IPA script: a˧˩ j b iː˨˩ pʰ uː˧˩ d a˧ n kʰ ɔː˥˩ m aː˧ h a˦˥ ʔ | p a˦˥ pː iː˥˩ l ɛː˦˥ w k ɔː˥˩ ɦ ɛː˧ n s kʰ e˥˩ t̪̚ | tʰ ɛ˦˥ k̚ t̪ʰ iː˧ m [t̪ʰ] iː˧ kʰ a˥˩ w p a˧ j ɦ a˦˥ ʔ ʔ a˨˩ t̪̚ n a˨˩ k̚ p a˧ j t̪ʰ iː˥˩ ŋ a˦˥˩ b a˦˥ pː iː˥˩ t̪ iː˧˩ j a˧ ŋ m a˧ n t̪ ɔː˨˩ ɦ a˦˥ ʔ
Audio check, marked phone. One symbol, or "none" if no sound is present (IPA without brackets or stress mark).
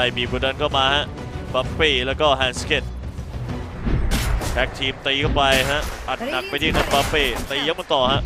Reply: t̪